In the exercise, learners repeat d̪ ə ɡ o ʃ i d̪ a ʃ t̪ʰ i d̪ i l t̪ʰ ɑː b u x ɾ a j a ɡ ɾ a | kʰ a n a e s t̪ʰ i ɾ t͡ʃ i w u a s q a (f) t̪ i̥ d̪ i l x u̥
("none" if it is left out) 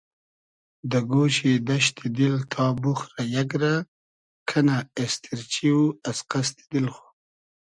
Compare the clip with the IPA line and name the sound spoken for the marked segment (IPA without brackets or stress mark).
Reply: s